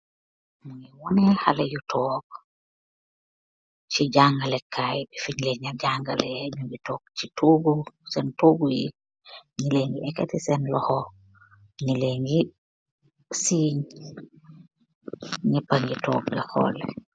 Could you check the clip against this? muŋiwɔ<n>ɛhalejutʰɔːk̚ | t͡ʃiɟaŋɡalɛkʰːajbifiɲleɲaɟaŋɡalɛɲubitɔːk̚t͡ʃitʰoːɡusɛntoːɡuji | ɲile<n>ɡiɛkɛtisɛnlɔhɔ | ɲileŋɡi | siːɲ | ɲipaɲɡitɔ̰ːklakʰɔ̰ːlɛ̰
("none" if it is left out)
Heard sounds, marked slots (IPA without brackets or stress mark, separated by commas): n, ŋ